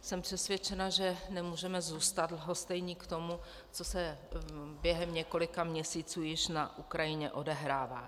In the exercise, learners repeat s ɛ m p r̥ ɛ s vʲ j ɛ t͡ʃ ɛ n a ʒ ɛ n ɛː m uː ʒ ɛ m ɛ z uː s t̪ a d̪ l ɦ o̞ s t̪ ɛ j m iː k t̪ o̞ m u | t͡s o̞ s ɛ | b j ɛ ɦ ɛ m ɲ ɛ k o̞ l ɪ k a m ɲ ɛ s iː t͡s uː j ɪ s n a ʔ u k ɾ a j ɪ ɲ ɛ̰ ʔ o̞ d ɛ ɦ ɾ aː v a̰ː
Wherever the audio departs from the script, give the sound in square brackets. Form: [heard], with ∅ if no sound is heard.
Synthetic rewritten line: s ɛ m p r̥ ɛ s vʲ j ɛ t͡ʃ ɛ n a ʒ ɛ n [ɛ] m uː ʒ ɛ m ɛ z uː s t̪ a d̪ l ɦ o̞ s t̪ ɛ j [ɲ] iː k t̪ o̞ m u | t͡s o̞ s ɛ | b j ɛ ɦ ɛ m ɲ ɛ k o̞ l ɪ k a m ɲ ɛ s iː t͡s uː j ɪ [ʃ] n a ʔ u k ɾ a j ɪ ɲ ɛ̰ ʔ o̞ d ɛ ɦ ɾ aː v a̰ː